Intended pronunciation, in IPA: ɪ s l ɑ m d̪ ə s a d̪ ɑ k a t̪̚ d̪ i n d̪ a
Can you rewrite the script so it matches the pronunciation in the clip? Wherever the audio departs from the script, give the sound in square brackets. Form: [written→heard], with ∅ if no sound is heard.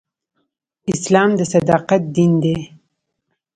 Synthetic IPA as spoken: ɪ s l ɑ m d̪ ə s a d̪ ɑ [k→q] a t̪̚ d̪ i n d̪ [a→e]